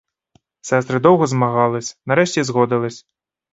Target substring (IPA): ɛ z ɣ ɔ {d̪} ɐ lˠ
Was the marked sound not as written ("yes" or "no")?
no